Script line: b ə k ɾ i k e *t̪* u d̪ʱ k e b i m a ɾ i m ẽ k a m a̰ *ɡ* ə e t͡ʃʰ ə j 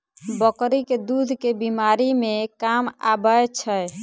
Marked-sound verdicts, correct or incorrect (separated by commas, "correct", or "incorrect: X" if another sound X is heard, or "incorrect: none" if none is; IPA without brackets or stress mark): incorrect: d̪, incorrect: b